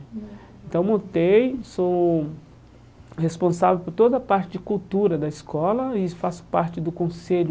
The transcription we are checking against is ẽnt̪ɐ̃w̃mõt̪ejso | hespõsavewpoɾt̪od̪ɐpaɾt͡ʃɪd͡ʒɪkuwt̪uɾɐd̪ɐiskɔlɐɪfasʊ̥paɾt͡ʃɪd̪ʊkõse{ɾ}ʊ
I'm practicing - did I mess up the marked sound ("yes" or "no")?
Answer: yes